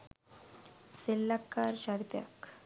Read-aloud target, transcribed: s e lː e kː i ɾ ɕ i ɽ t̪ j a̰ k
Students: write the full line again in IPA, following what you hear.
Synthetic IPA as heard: s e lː a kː a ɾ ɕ a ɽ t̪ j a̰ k